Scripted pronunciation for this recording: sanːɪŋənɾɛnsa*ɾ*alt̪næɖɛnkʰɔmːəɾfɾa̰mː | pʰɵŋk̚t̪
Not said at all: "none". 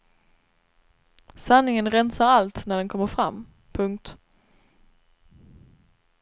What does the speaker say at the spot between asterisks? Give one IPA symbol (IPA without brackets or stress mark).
ɾ